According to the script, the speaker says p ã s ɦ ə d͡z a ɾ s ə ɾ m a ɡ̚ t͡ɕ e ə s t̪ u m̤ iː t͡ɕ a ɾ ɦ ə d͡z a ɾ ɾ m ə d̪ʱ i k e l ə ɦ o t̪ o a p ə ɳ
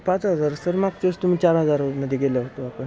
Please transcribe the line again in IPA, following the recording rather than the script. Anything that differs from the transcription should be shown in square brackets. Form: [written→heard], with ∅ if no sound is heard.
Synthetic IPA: p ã [s→t͡s] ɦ ə d͡z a ɾ s ə ɾ m a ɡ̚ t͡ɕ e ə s t̪ u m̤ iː t͡ɕ a ɾ ɦ ə d͡z a ɾ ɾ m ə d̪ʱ i [k→ɡ] e l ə ɦ o t̪ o a p ə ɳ